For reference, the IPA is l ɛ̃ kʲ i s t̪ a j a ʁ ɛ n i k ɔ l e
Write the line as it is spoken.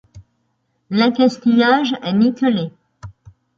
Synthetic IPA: l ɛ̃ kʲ a s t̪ i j a ʒ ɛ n i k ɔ l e